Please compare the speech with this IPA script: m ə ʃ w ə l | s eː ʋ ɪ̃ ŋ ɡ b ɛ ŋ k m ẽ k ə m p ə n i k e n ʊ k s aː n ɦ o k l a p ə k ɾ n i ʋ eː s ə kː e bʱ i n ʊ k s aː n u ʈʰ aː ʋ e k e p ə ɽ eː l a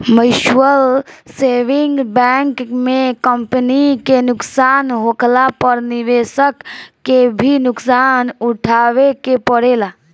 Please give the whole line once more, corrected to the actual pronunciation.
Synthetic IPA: m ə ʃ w ə l | s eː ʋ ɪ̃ ŋ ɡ b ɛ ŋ k m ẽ k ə m p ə n i k e n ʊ k s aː n ɦ o k l a p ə ɾ n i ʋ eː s ə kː e bʱ i n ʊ k s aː n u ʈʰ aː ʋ e k e p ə ɽ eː l a